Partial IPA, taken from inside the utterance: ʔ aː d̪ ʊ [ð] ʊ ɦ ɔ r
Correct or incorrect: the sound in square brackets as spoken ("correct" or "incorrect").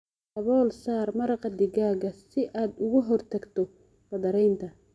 incorrect